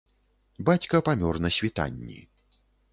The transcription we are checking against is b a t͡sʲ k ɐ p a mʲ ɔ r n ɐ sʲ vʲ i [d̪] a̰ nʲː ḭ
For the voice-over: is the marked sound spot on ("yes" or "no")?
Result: no